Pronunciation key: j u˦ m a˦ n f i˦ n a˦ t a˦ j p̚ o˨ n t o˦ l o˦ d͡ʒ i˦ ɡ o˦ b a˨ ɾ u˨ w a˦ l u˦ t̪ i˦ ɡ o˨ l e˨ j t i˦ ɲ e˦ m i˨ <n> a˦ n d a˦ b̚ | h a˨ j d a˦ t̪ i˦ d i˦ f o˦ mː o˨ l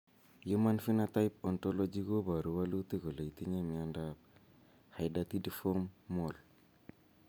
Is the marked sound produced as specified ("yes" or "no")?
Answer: no